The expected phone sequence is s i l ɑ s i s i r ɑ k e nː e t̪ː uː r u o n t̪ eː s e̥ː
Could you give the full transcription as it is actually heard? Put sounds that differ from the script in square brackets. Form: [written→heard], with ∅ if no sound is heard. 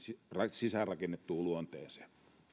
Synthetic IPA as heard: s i [l→r] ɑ s i s [i→æ] r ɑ k e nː e t̪ː uː [r→l] u o n t̪ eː s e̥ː